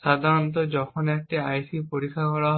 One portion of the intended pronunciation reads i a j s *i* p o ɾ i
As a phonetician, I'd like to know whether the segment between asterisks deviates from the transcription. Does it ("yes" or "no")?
no